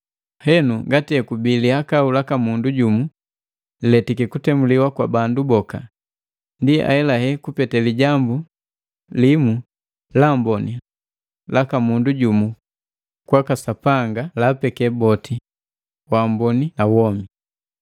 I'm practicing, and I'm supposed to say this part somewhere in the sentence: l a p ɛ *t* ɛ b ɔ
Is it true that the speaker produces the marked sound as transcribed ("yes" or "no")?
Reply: no